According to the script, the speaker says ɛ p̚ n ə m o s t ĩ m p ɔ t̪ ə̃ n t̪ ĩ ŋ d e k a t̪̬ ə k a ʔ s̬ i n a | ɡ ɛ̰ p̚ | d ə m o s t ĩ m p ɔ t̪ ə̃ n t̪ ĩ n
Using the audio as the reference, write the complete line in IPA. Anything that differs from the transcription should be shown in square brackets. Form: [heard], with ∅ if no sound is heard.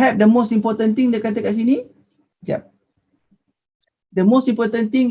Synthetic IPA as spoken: ɛ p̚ [d] ə m o s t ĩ m p ɔ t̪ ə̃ n t̪ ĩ ŋ d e k a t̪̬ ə k a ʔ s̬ i n [i] | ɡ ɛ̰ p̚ | d ə m o s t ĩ m p ɔ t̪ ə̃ n t̪ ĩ [ŋ]